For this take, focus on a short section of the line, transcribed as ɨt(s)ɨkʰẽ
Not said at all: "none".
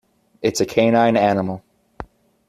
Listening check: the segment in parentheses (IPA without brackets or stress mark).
s